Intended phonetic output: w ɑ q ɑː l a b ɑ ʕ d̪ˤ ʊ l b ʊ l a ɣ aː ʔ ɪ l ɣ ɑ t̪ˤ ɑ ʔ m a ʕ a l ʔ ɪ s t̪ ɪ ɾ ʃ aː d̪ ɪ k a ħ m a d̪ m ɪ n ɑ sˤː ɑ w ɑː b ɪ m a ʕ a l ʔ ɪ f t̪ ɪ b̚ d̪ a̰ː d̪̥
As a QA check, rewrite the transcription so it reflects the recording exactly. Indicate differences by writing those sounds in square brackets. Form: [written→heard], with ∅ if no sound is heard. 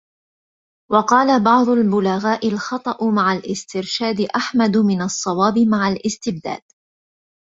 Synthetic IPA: w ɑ q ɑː l a b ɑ ʕ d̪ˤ ʊ l b ʊ l a ɣ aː ʔ ɪ l [ɣ→x] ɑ t̪ˤ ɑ ʔ m a ʕ a l ʔ ɪ s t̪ ɪ ɾ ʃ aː d̪ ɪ [k→ʔ] a ħ m a d̪ m ɪ n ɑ sˤː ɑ w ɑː b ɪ m a ʕ a l ʔ ɪ [f→s] t̪ ɪ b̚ d̪ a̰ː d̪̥